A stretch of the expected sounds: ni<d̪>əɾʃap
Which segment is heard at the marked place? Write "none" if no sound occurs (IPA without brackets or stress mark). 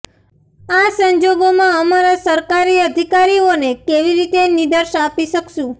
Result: d̪